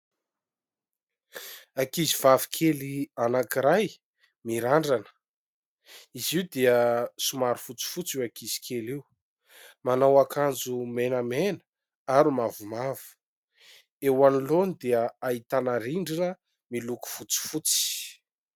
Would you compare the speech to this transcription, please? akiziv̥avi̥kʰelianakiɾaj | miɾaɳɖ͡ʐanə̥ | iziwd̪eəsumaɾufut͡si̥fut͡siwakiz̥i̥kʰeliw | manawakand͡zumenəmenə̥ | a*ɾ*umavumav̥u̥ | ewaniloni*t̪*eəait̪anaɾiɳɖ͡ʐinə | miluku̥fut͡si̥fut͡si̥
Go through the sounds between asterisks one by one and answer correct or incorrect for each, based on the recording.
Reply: correct, incorrect: d̪

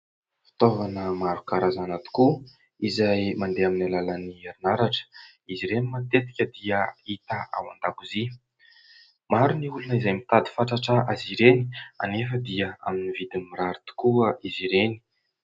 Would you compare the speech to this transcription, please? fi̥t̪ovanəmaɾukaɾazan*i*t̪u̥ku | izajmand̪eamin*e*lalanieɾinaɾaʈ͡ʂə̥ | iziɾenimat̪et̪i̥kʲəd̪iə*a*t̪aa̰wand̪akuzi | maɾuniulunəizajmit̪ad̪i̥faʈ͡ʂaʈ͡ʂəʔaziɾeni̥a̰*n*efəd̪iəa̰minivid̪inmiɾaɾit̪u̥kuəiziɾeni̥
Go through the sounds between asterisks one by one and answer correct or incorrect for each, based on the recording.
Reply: incorrect: a, incorrect: a, incorrect: i, correct

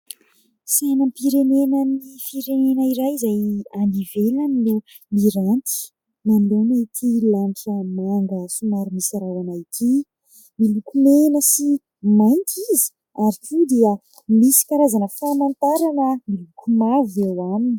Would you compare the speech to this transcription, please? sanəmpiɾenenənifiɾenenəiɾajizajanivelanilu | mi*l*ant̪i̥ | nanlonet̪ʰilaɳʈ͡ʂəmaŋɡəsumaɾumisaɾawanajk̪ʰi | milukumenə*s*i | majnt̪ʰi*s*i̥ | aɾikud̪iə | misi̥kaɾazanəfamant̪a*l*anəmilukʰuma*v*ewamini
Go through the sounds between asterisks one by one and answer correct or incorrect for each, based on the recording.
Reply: incorrect: ɾ, correct, incorrect: z, incorrect: ɾ, correct

